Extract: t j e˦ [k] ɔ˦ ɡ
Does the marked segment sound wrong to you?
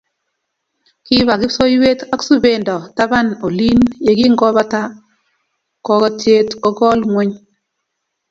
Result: yes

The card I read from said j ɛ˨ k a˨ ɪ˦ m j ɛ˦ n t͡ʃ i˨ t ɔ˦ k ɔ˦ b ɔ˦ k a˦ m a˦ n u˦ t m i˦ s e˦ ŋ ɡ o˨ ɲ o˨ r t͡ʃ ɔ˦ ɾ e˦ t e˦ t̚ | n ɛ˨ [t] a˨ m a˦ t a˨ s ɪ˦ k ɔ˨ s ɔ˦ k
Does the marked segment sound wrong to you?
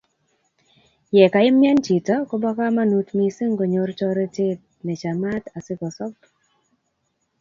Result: yes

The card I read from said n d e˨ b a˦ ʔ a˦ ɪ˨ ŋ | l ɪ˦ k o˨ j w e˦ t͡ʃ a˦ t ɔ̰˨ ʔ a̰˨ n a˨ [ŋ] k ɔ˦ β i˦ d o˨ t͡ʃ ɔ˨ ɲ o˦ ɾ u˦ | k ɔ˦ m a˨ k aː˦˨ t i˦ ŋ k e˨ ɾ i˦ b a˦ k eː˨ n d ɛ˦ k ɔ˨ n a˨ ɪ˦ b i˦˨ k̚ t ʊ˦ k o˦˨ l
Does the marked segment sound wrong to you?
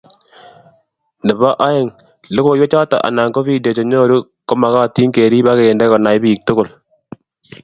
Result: no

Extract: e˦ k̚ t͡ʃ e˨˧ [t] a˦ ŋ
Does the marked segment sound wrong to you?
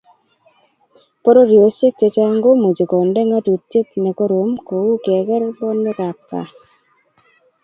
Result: yes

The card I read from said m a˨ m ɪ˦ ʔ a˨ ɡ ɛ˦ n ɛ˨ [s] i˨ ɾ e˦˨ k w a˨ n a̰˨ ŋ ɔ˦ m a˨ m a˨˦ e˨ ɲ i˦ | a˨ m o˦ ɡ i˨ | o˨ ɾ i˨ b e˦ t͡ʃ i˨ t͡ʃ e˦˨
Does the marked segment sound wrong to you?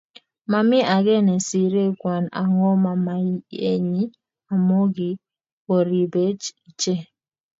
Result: no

